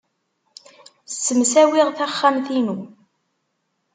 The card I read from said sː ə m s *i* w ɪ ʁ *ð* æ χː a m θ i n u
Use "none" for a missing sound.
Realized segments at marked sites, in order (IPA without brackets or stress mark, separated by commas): æ, θ